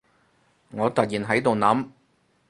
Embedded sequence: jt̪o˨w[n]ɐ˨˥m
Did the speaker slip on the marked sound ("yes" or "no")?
no